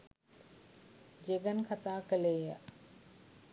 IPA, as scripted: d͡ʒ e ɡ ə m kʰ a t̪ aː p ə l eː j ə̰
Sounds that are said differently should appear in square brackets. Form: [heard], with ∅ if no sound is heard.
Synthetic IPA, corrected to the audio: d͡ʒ e ɡ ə [n] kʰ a t̪ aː [k] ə l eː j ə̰